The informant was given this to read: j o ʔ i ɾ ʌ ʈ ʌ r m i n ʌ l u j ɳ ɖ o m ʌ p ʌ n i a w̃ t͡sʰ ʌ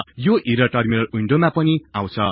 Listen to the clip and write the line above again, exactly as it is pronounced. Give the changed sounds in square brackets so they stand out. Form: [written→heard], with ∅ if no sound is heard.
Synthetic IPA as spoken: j o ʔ i ɾ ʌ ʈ ʌ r m i n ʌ l u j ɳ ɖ o m [ʌ→a] p ʌ n i a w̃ t͡sʰ ʌ